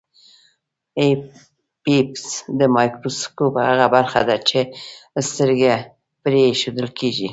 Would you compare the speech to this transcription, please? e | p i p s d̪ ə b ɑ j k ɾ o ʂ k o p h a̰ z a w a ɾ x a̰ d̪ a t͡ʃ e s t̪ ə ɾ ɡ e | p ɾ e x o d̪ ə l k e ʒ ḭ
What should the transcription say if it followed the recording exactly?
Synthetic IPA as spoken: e | p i p s d̪ ə m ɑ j k ɾ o s k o p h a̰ ɣ a b a ɾ x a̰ d̪ a t͡ʃ e s t̪ ə ɾ ɡ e | p ɾ e ʃ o d̪ ə l k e ʒ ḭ